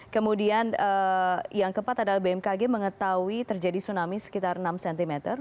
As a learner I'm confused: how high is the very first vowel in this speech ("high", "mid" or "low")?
mid